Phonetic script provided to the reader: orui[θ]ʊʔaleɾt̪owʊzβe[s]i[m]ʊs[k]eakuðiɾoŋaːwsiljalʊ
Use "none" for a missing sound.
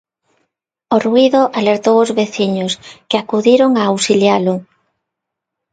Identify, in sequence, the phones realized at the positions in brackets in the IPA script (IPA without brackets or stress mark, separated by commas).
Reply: ð, θ, ɲ, k